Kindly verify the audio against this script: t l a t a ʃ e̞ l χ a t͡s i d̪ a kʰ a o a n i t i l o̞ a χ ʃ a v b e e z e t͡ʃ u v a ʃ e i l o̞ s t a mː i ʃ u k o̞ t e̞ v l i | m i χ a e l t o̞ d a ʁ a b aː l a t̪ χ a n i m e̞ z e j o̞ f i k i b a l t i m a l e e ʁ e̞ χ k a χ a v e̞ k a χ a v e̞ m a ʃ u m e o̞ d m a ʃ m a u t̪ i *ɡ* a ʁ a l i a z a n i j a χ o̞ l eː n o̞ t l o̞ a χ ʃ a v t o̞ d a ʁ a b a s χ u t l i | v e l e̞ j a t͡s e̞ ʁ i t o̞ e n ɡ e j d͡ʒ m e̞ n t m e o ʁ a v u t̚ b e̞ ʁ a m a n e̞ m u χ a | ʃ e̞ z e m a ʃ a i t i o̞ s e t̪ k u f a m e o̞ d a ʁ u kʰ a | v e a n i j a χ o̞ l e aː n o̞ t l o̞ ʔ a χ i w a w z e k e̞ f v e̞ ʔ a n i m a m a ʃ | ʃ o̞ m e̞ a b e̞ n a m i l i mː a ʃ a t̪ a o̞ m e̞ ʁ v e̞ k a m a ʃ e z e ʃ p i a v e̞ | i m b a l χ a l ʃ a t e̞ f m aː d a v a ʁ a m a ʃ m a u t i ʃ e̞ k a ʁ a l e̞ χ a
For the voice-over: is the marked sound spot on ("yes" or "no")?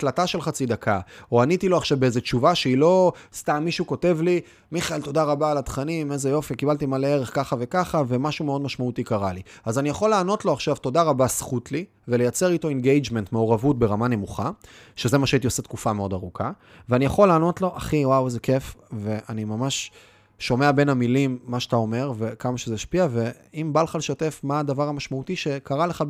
no